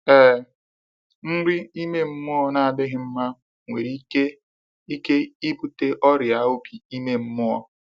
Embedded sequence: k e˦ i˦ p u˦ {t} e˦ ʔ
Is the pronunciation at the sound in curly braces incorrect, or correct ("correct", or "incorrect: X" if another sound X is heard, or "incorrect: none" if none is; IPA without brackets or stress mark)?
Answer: correct